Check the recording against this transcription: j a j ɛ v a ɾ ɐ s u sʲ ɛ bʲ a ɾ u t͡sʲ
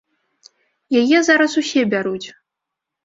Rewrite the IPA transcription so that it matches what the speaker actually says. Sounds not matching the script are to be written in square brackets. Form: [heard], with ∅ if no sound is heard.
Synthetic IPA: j a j ɛ [z] a ɾ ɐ s u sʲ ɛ bʲ a ɾ u t͡sʲ